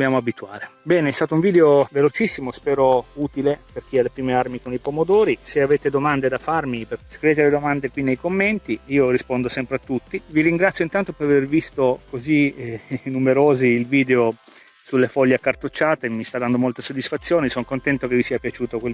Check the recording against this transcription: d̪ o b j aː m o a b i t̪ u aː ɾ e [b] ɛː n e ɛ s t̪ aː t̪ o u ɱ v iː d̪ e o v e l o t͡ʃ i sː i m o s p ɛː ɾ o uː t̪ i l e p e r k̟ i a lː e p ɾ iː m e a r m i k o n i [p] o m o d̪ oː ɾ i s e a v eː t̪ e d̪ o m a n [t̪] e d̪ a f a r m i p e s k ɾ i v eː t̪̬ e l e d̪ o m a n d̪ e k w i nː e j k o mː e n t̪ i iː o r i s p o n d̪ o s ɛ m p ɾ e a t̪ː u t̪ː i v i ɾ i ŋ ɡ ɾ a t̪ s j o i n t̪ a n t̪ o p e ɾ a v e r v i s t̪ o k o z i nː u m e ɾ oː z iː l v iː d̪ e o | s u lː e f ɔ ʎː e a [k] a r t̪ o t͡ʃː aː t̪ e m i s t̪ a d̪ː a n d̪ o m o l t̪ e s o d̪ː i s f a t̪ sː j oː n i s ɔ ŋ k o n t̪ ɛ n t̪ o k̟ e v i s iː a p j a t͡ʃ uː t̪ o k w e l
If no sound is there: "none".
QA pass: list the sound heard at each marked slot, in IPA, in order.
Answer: b, p, d̪, k

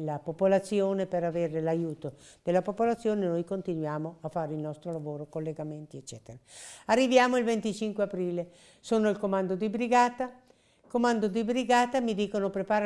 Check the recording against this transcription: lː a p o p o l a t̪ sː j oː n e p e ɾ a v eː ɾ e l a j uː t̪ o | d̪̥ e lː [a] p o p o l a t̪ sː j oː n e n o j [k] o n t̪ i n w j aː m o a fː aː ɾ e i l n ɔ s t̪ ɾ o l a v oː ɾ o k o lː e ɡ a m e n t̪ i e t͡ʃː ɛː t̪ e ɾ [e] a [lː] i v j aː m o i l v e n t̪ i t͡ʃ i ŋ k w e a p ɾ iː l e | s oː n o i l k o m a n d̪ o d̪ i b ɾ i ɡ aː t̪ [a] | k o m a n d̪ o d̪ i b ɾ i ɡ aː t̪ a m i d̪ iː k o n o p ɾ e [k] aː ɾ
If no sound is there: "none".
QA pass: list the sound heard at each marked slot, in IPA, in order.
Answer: a, k, a, rː, a, p

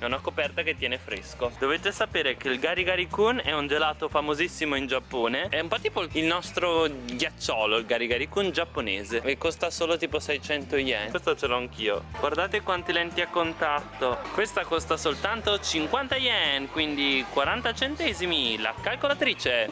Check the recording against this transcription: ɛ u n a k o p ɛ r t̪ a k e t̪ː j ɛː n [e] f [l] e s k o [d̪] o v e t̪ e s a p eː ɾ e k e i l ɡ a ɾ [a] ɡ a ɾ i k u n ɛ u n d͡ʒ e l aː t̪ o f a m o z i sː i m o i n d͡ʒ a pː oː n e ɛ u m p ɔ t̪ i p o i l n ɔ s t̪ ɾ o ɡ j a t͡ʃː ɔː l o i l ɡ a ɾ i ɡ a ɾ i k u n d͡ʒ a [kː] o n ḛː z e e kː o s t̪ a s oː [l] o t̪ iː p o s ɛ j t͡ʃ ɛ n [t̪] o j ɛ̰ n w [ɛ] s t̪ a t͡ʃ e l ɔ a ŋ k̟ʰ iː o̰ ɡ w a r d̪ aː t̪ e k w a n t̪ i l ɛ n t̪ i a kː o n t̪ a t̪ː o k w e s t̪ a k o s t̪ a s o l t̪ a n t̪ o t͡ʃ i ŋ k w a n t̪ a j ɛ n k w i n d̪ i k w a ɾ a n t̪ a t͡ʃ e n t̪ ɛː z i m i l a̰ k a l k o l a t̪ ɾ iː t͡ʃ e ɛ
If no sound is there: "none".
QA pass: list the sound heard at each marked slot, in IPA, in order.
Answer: e, ɾ, d̪, i, pː, l, t̪, e

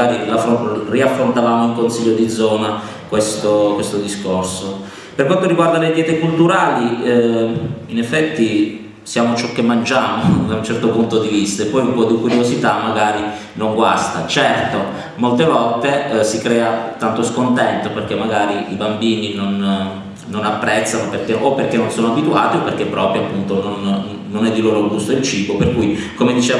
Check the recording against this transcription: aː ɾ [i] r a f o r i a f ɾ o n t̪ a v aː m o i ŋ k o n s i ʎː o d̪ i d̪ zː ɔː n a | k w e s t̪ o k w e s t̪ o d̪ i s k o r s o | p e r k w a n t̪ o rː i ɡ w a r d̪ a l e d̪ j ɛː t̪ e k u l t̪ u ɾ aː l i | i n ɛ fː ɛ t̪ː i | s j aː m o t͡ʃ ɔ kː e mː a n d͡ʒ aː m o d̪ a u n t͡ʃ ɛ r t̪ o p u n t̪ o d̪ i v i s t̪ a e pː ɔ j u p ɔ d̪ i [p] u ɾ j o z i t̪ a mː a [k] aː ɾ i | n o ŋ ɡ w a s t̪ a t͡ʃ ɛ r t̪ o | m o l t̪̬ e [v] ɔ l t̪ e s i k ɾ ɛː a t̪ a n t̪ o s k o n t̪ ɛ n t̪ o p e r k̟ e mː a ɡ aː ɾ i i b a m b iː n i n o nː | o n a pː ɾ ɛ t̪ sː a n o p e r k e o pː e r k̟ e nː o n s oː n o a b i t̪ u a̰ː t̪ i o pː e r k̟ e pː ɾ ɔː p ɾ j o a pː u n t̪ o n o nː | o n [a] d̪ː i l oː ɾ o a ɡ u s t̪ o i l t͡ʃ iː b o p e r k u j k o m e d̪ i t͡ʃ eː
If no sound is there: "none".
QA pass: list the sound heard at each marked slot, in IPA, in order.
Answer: i, k, ɡ, v, ɛ

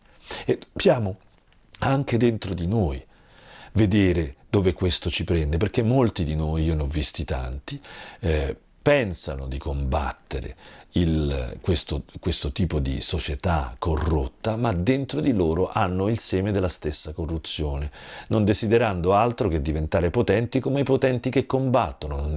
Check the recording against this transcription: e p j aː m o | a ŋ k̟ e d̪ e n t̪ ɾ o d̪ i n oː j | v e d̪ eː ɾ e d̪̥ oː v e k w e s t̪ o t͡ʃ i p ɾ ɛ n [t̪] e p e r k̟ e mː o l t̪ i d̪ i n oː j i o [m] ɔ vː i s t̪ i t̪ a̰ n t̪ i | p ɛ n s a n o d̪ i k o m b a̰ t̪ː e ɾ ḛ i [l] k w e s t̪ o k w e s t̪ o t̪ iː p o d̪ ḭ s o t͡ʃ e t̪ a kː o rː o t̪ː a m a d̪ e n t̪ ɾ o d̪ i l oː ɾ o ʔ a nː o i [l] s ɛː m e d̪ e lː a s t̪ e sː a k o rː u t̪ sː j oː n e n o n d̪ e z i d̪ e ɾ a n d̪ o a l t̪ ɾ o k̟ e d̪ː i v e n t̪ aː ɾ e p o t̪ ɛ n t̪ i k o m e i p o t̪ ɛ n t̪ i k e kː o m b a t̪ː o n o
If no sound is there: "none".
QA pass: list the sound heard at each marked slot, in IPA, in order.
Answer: d̪, n, l, l

